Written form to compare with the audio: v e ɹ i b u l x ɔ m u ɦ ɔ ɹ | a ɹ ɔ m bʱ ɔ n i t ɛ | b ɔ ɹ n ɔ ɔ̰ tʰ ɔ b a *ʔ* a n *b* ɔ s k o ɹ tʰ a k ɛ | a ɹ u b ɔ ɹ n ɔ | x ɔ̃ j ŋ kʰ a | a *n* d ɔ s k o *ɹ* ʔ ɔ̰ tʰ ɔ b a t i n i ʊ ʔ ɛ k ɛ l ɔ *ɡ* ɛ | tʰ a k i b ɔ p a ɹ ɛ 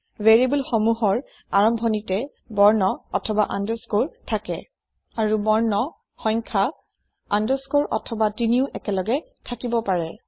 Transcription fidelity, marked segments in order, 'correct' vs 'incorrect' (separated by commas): correct, incorrect, correct, correct, correct